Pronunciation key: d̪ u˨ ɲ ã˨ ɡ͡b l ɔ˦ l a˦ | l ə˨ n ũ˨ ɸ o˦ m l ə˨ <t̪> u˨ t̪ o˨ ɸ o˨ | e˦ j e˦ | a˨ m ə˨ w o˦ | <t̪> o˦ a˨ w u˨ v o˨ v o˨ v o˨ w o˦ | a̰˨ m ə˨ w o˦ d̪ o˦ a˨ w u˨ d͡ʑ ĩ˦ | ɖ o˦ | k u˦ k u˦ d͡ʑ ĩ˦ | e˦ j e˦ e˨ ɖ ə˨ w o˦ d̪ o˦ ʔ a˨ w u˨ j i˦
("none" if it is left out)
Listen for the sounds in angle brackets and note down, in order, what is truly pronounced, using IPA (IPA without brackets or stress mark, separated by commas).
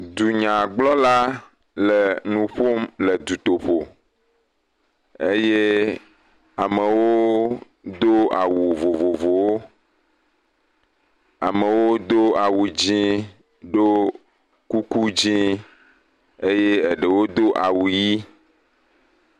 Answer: d̪, d̪